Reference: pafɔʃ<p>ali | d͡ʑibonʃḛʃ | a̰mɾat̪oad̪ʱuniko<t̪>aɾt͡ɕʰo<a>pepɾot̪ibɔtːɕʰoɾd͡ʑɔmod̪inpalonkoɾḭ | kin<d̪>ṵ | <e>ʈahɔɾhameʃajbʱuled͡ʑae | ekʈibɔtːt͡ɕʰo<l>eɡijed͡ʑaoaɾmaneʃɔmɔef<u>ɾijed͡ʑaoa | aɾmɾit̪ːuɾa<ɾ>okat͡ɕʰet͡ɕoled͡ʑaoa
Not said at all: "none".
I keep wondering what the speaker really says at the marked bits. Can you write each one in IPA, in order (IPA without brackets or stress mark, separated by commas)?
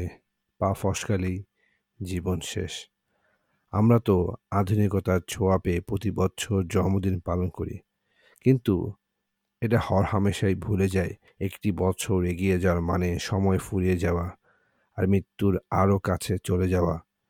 k, t̪, a, t̪, e, ɾ, u, ɾ